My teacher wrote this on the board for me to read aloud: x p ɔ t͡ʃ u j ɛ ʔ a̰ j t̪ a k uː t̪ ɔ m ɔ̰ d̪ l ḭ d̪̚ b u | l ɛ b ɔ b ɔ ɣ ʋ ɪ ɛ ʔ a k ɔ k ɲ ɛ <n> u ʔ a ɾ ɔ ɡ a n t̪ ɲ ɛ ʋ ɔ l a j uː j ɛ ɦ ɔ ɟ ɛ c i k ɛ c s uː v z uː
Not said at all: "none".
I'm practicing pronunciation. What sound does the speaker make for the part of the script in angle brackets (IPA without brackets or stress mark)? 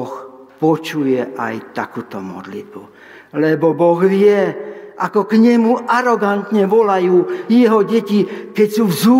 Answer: m